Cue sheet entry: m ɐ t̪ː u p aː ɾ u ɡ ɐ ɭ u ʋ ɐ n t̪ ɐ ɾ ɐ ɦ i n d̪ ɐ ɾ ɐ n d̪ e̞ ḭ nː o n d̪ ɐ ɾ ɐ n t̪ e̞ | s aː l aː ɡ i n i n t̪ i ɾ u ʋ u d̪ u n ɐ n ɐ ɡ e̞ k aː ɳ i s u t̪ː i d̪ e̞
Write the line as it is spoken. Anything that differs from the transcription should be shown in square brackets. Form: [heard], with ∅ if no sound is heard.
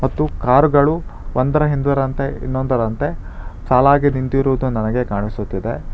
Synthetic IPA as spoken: m ɐ t̪ː u [k] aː ɾ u ɡ ɐ ɭ u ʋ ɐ n [d̪] ɐ ɾ ɐ ɦ i n d̪ ɐ ɾ ɐ n [t̪] e̞ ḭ nː o n d̪ ɐ ɾ ɐ n t̪ e̞ | s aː l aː ɡ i n i n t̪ i ɾ u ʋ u d̪ u n ɐ n ɐ ɡ e̞ k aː ɳ i s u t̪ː i d̪ e̞